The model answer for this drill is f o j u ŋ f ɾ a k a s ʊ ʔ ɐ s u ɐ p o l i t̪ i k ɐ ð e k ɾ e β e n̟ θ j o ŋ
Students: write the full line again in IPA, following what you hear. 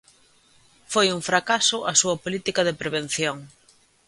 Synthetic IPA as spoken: f o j u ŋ f ɾ a k a s ʊ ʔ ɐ s u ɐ p o l i t̪ i k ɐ ð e p ɾ e β e n̟ θ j o ŋ